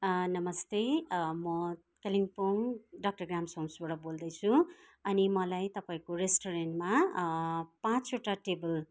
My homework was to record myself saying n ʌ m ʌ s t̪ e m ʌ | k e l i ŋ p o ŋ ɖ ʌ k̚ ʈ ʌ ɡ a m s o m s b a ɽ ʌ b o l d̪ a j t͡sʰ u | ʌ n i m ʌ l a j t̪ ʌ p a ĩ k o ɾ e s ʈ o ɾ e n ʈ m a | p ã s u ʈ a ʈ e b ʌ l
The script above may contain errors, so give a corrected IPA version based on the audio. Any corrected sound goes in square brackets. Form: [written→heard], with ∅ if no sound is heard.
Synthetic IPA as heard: n ʌ m ʌ s t̪ e m ʌ | k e l i ŋ p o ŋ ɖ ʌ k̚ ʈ ʌ ɡ a m s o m s b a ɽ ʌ b o l d̪ [a→ʌ] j t͡sʰ u | ʌ n i m ʌ l a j t̪ ʌ p a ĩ k o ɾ e s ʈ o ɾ e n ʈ m a | p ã [s→t͡s] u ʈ a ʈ e b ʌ l

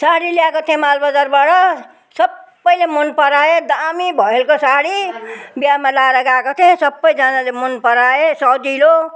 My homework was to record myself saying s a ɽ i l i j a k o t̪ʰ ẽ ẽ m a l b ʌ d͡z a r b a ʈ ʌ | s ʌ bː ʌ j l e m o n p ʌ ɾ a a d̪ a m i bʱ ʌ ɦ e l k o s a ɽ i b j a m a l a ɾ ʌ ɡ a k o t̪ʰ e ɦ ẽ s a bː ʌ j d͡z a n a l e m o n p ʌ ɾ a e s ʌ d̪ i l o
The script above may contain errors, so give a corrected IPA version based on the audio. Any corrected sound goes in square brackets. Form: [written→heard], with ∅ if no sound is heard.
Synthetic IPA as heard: s a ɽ i l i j a k o t̪ʰ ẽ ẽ m a l b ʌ d͡z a r b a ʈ ʌ | s ʌ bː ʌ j l e m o n p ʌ ɾ a [a→e] d̪ a m i bʱ ʌ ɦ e l k o s a ɽ i b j a m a l a ɾ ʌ ɡ a k o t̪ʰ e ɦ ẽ s [a→ʌ] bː ʌ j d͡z a n a l e m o n p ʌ ɾ a e s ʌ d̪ i l o

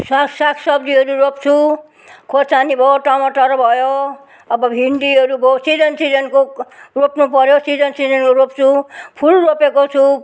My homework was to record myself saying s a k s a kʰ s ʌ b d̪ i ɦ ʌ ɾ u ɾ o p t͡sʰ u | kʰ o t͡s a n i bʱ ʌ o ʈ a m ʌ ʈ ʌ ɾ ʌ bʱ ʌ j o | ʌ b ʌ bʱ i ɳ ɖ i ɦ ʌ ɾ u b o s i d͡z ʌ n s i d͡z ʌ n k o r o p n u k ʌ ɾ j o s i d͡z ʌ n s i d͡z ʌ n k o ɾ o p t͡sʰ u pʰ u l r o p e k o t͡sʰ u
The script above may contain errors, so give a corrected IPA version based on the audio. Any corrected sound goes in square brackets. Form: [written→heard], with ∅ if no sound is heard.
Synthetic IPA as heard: s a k s a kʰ s ʌ b d̪ i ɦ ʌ ɾ u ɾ o p t͡sʰ u | kʰ o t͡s a n i bʱ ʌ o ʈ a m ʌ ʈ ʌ ɾ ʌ bʱ ʌ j o | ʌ b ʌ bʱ i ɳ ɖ i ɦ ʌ ɾ u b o s i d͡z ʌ n s i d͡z ʌ n k o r o p n u [k→p] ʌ ɾ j o s i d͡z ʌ n s i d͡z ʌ n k o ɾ o p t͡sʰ u pʰ u l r o p e k o t͡sʰ u

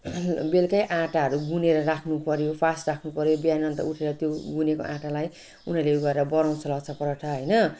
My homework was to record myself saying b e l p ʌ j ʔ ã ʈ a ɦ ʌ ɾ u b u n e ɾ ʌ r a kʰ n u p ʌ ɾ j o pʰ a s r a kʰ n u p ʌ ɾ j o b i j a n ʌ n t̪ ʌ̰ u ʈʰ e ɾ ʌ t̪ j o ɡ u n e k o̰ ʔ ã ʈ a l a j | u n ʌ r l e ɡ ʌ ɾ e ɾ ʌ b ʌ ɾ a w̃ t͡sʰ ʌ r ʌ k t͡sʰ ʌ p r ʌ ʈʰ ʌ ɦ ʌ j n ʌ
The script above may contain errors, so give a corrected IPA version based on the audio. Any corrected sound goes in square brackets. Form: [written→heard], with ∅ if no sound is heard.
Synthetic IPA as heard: b e l [p→k] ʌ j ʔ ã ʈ a ɦ ʌ ɾ u [b→ɡ] u n e ɾ ʌ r a kʰ n u p ʌ ɾ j o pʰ a s r a kʰ n u p ʌ ɾ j o b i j a n ʌ n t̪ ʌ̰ u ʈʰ e ɾ ʌ t̪ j o ɡ u n e k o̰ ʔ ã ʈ a l a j | u n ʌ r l e ɡ ʌ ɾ e ɾ ʌ b ʌ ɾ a w̃ t͡sʰ ʌ [r→l] ʌ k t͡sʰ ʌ p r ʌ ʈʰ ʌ ɦ ʌ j n ʌ

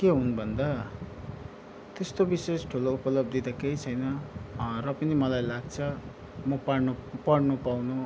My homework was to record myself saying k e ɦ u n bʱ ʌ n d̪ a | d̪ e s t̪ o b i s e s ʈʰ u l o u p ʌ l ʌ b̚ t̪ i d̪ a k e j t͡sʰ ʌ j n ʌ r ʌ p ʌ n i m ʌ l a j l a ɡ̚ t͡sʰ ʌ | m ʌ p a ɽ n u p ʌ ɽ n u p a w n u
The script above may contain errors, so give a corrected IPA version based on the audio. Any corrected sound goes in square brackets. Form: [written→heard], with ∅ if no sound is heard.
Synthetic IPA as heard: k e ɦ u n bʱ ʌ n d̪ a | [d̪→t̪] e s t̪ o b i s e s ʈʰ u l o u p ʌ l ʌ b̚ [t̪→d̪] i d̪ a k e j t͡sʰ ʌ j n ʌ r ʌ p ʌ n i m ʌ l a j l a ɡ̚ t͡sʰ ʌ | m ʌ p a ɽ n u p ʌ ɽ n u p a w n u

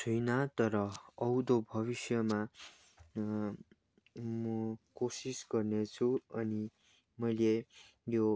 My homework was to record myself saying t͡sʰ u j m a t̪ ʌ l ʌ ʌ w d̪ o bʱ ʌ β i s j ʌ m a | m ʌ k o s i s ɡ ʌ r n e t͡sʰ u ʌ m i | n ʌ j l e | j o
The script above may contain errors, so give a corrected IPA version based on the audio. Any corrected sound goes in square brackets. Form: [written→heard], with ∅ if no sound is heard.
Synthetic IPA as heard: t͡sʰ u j [m→n] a t̪ ʌ [l→ɾ] ʌ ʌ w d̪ o bʱ ʌ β i s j ʌ m a | m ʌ k o s i s ɡ ʌ r n e t͡sʰ u ʌ [m→n] i | [n→m] ʌ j l e | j o

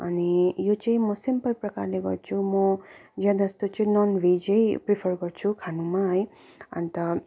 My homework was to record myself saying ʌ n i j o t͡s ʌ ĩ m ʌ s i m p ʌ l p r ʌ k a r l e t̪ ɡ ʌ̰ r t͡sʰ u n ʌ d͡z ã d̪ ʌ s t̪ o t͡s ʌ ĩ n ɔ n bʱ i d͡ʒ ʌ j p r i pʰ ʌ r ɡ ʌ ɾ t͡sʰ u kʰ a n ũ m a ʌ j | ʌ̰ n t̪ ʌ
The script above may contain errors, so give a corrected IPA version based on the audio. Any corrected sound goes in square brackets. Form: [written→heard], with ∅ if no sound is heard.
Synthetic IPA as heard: ʌ n i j o t͡s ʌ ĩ m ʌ s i m p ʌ l p r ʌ k a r l e [t̪→∅] ɡ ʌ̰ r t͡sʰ u [n→m] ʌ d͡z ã d̪ ʌ s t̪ o t͡s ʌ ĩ n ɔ n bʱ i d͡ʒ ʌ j p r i pʰ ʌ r ɡ ʌ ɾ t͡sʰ u kʰ a n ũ m a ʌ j | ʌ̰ n t̪ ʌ

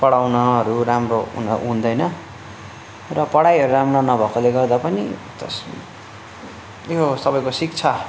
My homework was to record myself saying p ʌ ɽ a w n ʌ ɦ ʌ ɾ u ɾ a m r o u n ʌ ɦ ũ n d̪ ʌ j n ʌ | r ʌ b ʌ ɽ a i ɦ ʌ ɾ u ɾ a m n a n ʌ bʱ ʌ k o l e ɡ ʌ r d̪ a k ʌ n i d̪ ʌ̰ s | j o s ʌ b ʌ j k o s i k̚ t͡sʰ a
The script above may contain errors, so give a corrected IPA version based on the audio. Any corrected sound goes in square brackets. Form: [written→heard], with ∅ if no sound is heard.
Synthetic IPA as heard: p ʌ ɽ a w n ʌ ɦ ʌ ɾ u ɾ a m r o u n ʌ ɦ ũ n d̪ ʌ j n ʌ | r ʌ [b→p] ʌ ɽ a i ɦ ʌ ɾ u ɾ a m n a n ʌ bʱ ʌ k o l e ɡ ʌ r d̪ a [k→p] ʌ n i [d̪→t̪] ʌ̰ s | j o s ʌ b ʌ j k o s i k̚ t͡sʰ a

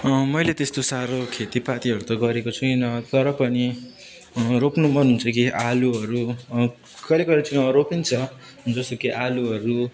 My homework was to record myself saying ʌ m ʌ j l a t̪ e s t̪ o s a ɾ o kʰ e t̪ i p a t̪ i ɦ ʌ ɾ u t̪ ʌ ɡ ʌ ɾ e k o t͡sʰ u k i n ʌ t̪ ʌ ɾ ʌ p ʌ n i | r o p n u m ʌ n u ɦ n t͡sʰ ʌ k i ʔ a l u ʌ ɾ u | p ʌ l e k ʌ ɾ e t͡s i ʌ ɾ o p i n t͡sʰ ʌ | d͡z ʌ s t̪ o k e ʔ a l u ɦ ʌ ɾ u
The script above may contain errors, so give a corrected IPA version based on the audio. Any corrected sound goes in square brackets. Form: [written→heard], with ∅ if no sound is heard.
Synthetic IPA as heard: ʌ m ʌ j l [a→e] t̪ e s t̪ o s a ɾ o kʰ e t̪ i p a t̪ i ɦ ʌ ɾ u t̪ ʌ ɡ ʌ ɾ e k o t͡sʰ u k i n ʌ t̪ ʌ ɾ ʌ p ʌ n i | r o p n u m ʌ n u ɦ n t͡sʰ ʌ k i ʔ a l u ʌ ɾ u | [p→k] ʌ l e k ʌ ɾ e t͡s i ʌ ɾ o p i n t͡sʰ ʌ | d͡z ʌ s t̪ o k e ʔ a l u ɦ ʌ ɾ u

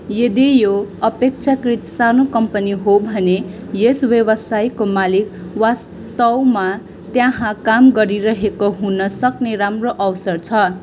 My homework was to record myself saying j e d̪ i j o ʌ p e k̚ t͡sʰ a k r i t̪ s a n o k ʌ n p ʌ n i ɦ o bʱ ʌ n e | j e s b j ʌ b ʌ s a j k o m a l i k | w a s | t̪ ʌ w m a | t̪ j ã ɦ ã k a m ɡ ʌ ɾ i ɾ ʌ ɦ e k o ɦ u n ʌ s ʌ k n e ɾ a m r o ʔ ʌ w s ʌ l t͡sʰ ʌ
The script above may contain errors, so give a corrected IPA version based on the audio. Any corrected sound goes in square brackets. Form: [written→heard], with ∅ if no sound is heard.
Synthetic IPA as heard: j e d̪ i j o ʌ p e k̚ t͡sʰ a k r i t̪ s a n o k ʌ [n→m] p ʌ n i ɦ o bʱ ʌ n e | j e s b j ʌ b ʌ s a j k o m a l i k | w a s | t̪ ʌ w m a | t̪ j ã ɦ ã k a m ɡ ʌ ɾ i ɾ ʌ ɦ e k o ɦ u n ʌ s ʌ k n e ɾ a m r o ʔ ʌ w s ʌ [l→r] t͡sʰ ʌ

